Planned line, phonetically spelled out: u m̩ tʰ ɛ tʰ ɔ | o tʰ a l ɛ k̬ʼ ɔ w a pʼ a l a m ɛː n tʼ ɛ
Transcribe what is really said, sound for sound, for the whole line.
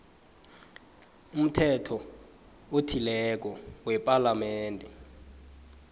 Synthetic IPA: u m̩ tʰ ɛ tʰ ɔ | o tʰ i l ɛ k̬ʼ ɔ w ɛ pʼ a l a m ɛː n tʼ ɛ